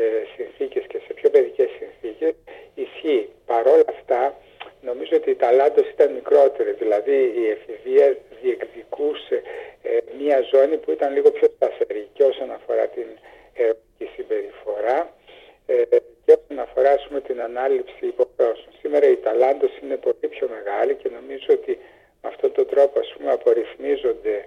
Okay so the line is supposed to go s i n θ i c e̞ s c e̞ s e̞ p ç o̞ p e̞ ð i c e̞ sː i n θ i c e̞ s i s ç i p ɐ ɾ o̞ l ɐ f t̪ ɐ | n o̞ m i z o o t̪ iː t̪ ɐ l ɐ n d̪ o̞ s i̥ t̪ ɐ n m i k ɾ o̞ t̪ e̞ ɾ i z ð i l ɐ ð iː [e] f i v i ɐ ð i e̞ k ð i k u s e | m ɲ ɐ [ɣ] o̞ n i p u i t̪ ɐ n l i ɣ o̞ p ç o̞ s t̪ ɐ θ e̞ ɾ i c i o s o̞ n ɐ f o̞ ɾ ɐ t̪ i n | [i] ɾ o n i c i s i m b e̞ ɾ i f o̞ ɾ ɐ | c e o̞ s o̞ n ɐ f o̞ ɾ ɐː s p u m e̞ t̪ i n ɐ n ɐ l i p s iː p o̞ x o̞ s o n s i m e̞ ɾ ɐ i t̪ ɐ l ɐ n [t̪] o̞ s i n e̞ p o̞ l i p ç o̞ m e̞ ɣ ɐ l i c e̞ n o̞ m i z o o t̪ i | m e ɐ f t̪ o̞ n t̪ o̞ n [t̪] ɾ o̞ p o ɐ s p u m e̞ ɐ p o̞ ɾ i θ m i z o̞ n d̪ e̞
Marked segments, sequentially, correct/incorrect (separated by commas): correct, incorrect, incorrect, incorrect, incorrect